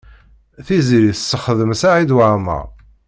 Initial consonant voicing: voiceless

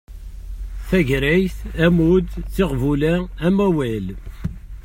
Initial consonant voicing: voiceless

